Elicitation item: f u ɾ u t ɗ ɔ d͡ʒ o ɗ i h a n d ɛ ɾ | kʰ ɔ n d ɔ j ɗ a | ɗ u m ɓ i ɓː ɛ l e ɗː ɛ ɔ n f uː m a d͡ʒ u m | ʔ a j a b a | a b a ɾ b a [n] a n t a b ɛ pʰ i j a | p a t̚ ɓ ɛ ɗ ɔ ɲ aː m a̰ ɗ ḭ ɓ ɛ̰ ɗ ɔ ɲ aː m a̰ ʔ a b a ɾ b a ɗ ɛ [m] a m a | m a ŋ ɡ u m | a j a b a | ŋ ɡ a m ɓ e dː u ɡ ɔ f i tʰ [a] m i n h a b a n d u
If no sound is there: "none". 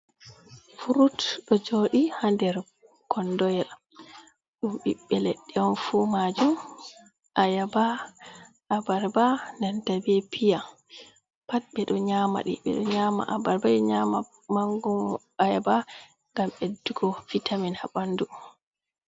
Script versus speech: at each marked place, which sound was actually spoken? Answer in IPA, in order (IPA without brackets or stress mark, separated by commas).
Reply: n, ɲ, a